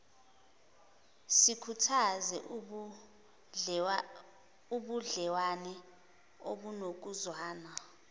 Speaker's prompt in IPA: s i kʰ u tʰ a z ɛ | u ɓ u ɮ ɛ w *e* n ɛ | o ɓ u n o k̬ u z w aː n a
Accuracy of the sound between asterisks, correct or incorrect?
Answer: incorrect